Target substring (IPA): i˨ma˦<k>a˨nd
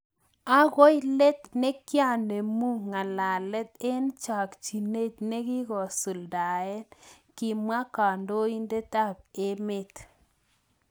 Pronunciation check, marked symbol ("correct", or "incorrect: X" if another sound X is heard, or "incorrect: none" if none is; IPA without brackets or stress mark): correct